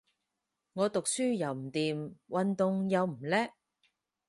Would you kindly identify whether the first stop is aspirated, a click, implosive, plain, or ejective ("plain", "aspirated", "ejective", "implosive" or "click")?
plain